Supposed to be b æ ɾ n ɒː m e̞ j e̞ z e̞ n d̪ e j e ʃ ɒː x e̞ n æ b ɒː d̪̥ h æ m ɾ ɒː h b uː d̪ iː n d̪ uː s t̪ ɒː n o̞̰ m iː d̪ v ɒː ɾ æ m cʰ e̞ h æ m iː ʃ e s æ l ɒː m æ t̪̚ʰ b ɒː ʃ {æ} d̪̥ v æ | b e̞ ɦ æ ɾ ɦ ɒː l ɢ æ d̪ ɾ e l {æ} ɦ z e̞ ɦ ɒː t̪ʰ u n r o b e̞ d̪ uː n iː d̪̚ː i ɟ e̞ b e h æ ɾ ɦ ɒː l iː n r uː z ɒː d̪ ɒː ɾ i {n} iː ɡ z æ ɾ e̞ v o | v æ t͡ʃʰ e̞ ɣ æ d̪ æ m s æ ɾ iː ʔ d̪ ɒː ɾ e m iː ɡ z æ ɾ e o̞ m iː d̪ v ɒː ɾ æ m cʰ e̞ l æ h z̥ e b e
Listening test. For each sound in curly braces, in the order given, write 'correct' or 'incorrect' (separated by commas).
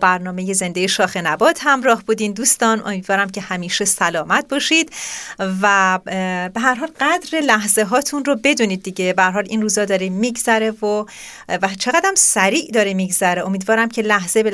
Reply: incorrect, correct, incorrect